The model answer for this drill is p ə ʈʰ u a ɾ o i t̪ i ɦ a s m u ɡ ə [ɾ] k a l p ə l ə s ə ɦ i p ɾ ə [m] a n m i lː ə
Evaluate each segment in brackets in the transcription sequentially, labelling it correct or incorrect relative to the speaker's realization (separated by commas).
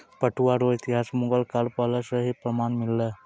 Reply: incorrect, correct